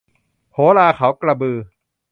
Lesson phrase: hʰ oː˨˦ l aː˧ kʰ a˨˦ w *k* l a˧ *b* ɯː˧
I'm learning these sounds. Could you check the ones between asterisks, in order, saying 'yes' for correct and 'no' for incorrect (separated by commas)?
yes, yes